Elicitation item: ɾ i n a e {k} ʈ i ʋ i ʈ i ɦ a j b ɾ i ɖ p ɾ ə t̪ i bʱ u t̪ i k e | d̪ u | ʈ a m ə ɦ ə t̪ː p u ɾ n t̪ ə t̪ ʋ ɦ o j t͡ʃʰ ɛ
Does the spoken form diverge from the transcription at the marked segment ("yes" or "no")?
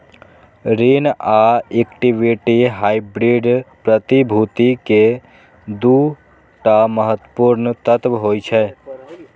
no